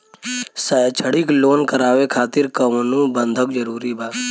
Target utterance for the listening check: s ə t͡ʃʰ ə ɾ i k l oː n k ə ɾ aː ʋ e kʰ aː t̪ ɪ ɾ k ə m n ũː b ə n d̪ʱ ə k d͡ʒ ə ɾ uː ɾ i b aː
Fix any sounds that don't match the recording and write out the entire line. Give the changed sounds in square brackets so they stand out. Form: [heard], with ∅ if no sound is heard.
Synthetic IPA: s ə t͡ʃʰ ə [ɽ] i k l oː n k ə ɾ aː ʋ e kʰ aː t̪ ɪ ɾ k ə m n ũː b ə n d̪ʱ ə k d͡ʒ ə ɾ uː ɾ i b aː